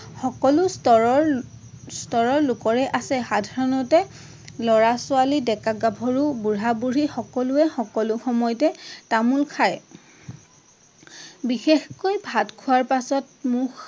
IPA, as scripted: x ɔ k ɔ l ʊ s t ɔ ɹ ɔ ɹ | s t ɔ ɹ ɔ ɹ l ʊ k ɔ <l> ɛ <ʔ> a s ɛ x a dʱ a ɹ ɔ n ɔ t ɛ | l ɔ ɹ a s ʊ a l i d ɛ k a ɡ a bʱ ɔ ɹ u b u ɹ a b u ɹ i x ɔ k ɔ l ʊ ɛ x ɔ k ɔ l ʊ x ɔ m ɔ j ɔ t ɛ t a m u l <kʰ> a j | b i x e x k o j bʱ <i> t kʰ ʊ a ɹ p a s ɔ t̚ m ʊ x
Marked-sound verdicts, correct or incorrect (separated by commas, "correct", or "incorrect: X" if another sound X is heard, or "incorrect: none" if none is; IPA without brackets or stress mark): incorrect: ɹ, correct, correct, incorrect: a